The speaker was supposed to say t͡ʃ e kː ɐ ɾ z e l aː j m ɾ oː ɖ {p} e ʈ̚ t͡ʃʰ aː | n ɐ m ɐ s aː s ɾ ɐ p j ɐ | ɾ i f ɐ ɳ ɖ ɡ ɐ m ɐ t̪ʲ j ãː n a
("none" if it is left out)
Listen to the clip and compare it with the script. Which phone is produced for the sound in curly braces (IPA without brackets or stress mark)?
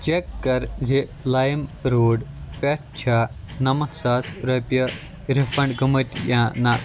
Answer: p